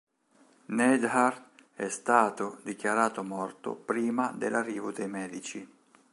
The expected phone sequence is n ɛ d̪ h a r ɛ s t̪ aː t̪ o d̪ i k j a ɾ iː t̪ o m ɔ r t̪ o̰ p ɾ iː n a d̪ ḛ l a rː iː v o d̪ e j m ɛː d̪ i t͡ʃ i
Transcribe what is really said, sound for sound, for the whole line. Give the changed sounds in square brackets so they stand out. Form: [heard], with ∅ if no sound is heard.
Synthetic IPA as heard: n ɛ d̪ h a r ɛ s t̪ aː t̪ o d̪ i k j a ɾ [aː] t̪ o m ɔ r t̪ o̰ p ɾ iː [m] a d̪ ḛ l a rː iː v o d̪ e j m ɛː d̪ i t͡ʃ i

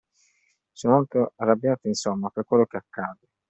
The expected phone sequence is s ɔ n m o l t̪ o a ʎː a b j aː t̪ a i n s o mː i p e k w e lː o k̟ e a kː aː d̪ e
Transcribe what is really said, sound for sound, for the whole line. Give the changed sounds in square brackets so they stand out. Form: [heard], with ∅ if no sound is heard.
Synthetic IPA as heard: s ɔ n m o l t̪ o a [rː] a b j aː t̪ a i n s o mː [a] p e k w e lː o k̟ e a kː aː d̪ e

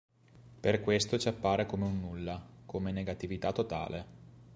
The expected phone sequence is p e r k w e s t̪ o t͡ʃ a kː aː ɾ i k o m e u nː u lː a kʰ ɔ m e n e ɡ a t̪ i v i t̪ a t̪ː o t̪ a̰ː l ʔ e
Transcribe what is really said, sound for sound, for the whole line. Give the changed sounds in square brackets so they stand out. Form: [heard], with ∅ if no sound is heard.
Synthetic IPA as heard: p e r k w e s t̪ o t͡ʃ a [pː] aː ɾ [e] k o m e u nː u lː a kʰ [o] m e n e ɡ a t̪ i v i t̪ a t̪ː o t̪ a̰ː l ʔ e

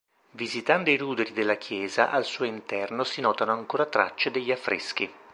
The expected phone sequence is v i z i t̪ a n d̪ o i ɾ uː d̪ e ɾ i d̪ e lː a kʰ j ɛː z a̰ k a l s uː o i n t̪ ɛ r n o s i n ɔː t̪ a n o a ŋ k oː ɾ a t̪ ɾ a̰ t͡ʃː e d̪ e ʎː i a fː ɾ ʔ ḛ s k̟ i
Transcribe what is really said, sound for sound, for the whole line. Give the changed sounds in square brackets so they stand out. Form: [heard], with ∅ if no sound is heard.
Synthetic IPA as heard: v i z i t̪ a n d̪ o i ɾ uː d̪ e ɾ i d̪ e lː a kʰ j ɛː z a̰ [ʔ] a l s uː o i n t̪ ɛ r n o s i n ɔː t̪ a n o a ŋ k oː ɾ a t̪ ɾ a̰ t͡ʃː e d̪ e ʎː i a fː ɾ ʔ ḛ s k̟ i

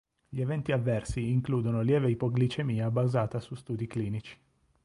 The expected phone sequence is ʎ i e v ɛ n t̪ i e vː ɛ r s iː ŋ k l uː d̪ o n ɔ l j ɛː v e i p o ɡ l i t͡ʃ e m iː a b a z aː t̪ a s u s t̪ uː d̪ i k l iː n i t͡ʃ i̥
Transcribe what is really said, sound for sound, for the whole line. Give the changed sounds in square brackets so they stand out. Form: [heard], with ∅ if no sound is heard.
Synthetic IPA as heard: ʎ i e v ɛ n t̪ i [a] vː ɛ r s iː ŋ k l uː d̪ o n [o] l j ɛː v e i p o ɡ l i t͡ʃ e m iː a b a z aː t̪ a s u s t̪ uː d̪ i k l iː n i t͡ʃ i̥

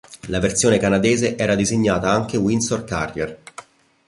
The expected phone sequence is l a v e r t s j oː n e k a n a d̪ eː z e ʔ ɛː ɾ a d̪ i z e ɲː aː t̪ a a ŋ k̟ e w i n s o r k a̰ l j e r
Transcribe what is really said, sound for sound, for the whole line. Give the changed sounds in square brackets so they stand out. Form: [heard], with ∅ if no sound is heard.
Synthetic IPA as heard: l a v e r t s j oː n e k a n a d̪ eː z e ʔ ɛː ɾ a d̪ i z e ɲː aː t̪ a a ŋ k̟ e w i n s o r k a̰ [r] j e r

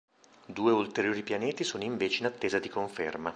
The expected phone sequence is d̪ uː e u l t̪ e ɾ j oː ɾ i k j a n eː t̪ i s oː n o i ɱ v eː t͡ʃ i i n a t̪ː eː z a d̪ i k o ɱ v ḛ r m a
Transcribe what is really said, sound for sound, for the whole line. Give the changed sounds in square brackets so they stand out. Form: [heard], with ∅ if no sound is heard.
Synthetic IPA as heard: d̪ uː e u l t̪ e ɾ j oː ɾ i [p] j a n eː t̪ i s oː n o i ɱ v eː t͡ʃ [e] i n a t̪ː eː z a d̪ i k o ɱ [f] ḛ r m a

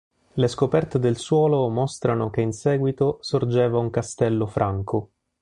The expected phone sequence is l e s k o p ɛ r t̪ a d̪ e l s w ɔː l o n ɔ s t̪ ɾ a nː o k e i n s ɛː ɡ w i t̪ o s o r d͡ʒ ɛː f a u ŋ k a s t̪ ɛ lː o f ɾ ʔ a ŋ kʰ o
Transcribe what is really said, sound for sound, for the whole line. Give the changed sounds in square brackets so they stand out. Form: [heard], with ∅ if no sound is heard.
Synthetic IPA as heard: l e s k o p ɛ r t̪ [e] d̪ e l s w ɔː l o [m] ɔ s t̪ ɾ a [n] o k e i n s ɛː ɡ w i t̪ o s o r d͡ʒ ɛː [v] a u ŋ k a s t̪ ɛ lː o f ɾ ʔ a ŋ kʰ o

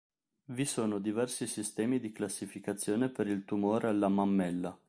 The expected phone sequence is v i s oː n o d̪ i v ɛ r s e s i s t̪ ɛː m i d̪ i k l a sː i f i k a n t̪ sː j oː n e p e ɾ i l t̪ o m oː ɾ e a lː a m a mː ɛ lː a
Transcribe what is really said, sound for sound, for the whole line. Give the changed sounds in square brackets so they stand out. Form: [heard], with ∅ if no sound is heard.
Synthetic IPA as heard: v i s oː n o d̪ i v ɛ r s [i] s i s t̪ ɛː m i d̪ i k l a sː i f i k a [∅] t̪ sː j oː n e p e ɾ i l t̪ [u] m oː ɾ e a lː a m a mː ɛ lː a

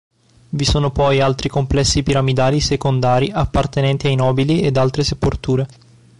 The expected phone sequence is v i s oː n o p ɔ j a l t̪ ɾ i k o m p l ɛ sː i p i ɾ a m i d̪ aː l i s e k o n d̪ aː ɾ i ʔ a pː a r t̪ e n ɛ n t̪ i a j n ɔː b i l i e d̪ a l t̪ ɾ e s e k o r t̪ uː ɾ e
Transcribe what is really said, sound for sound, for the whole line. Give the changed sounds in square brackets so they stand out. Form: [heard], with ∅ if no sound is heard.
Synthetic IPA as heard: v i s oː n o p ɔ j a l t̪ ɾ i k o m p l ɛ sː i p i ɾ a m i d̪ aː l i s e k o n d̪ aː ɾ i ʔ a pː a r t̪ e n ɛ n t̪ i a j n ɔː b i l i e d̪ a l t̪ ɾ e s e [p] o r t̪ uː ɾ e

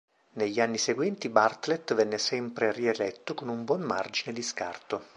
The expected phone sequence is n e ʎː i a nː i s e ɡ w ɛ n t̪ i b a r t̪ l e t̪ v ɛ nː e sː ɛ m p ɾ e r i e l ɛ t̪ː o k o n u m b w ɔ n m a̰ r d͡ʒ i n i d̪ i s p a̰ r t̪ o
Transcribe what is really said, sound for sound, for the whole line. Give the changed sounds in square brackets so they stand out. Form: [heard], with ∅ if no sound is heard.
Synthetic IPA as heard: n e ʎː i a nː i s e ɡ w ɛ n t̪ i b a r t̪ l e t̪ v ɛ nː e [s] ɛ m p ɾ e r i e l ɛ t̪ː o k o n u m b w ɔ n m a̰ r d͡ʒ i n [e] d̪ i s [k] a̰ r t̪ o

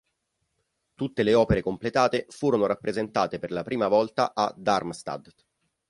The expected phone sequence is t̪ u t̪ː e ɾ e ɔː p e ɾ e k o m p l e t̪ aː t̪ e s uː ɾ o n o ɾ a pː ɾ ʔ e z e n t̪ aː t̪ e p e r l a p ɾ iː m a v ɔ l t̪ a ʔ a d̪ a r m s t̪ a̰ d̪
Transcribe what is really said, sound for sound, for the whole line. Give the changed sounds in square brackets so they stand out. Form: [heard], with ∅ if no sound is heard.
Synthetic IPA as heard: t̪ u t̪ː e [l] e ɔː p e ɾ e k o m p l e t̪ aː t̪ e [f] uː ɾ o n o ɾ a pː ɾ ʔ e z e n t̪ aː t̪ e p e r l a p ɾ iː m a v ɔ l t̪ a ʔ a d̪ a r m s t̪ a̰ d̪

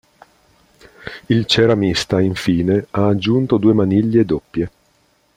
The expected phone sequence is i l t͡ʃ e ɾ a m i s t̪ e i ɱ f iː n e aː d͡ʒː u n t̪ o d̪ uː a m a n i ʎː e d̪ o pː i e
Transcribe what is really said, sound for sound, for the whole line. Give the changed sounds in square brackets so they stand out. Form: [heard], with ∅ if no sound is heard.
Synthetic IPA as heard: i l t͡ʃ e ɾ a m i s t̪ [a] i ɱ f iː n e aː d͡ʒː u n t̪ o d̪ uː [e] m a n i ʎː e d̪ o pː [j] e

